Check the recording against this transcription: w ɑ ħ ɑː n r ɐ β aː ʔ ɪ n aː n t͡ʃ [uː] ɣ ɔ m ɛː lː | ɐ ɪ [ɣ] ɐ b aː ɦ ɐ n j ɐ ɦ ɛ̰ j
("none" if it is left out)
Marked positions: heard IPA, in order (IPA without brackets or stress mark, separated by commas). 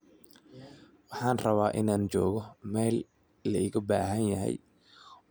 ɔː, ɣ